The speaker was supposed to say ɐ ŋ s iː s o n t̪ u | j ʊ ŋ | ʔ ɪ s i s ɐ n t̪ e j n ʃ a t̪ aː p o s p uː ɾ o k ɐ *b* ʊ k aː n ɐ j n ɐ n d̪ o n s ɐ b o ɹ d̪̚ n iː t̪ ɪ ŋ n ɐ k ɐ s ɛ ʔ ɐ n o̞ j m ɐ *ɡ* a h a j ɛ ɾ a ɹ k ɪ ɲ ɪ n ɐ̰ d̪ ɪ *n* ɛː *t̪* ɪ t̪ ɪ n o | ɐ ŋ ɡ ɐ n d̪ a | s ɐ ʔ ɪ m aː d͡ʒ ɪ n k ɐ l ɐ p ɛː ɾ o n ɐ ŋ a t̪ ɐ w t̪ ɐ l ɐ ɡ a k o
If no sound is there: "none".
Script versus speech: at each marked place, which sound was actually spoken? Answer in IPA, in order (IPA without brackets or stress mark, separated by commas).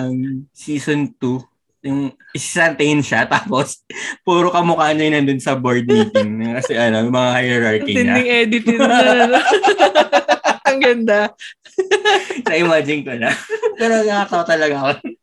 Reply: m, ŋ, ŋ, d̪